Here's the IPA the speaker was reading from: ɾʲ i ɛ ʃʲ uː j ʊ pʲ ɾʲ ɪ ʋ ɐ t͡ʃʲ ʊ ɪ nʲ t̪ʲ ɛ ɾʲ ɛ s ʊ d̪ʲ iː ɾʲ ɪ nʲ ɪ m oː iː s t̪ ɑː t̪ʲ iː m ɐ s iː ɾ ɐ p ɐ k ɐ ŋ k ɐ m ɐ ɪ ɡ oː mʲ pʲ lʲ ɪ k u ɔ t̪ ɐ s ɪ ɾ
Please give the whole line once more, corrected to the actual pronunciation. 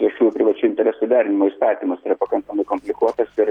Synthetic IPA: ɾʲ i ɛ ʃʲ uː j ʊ pʲ ɾʲ ɪ ʋ ɐ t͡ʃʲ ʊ ɪ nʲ t̪ʲ ɛ ɾʲ ɛ s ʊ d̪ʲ æː ɾʲ ɪ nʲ ɪ m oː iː s t̪ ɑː t̪ʲ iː m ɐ s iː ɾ ɐ p ɐ k ɐ ŋ k ɐ m ɐ ɪ k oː mʲ pʲ lʲ ɪ k u ɔ t̪ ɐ s ɪ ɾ